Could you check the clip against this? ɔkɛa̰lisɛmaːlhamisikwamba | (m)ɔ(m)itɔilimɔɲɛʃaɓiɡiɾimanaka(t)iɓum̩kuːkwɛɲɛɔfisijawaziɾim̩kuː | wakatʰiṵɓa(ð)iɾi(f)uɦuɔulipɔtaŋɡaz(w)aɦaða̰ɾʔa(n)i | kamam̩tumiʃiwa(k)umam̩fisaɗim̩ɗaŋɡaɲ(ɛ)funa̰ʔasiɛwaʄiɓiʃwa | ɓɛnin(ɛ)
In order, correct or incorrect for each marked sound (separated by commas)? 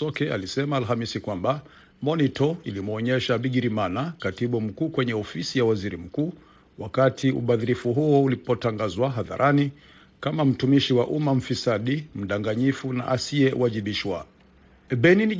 correct, incorrect, correct, correct, correct, correct, correct, incorrect, incorrect, incorrect